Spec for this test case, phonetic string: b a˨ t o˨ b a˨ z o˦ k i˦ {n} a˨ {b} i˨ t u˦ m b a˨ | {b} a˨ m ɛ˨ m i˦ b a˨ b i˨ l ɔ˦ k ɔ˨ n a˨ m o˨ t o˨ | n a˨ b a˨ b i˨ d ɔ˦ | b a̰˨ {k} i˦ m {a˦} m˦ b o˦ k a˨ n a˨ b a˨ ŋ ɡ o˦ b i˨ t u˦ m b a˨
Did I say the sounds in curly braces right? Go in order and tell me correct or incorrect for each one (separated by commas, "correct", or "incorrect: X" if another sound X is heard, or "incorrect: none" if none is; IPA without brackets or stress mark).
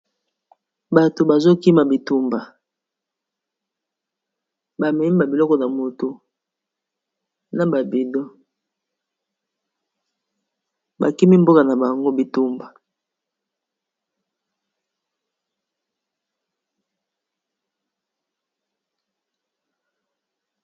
incorrect: m, correct, correct, correct, incorrect: i˦